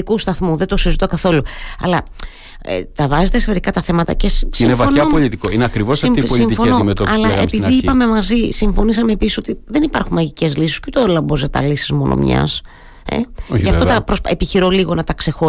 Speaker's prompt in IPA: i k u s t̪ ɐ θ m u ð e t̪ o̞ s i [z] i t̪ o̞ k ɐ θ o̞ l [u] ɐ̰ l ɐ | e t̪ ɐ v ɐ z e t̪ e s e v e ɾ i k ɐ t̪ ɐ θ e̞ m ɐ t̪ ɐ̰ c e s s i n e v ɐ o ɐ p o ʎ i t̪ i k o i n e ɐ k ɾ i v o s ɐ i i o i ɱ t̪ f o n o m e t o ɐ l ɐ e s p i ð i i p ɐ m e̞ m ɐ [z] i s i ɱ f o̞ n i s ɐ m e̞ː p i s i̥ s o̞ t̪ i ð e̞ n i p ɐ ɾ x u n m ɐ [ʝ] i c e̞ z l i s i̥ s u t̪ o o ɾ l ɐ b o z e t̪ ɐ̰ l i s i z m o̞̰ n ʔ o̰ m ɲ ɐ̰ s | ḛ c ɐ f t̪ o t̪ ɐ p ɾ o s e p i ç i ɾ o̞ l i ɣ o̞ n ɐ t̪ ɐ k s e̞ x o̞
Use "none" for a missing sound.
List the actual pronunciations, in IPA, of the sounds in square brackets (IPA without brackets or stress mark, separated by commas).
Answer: z, u, z, ʝ